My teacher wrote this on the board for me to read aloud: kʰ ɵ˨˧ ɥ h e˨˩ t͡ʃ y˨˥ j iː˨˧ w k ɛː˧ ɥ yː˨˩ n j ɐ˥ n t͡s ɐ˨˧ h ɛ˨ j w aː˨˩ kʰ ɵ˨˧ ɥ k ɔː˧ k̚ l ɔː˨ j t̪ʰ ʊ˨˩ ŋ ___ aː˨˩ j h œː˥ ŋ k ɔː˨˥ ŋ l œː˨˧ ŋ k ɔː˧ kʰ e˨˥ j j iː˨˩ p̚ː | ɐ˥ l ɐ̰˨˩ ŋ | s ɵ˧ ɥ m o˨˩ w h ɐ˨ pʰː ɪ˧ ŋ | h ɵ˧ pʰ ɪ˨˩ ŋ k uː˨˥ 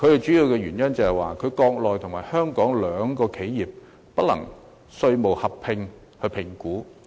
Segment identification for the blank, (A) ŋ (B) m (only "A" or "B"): B